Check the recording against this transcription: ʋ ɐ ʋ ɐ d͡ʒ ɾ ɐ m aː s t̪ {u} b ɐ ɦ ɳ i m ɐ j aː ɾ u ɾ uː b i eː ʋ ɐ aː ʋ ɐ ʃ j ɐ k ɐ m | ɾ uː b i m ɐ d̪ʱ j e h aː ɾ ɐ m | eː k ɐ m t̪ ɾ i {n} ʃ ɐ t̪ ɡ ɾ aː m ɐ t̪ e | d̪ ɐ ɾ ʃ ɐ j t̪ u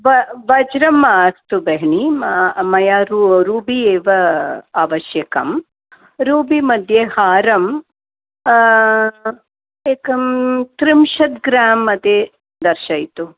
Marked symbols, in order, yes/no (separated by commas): yes, no